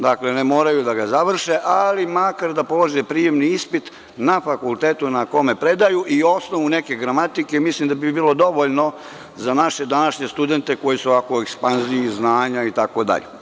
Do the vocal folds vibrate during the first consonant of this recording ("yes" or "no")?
yes